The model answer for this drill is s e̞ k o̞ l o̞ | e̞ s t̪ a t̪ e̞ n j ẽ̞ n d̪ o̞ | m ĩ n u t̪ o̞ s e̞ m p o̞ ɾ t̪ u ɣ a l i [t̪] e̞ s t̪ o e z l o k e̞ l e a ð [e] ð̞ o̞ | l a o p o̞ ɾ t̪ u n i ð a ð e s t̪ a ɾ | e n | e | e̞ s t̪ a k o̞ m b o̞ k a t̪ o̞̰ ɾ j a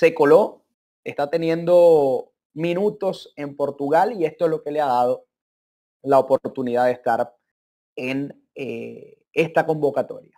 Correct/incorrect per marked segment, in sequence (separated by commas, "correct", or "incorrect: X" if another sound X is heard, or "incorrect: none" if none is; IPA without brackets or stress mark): incorrect: none, incorrect: a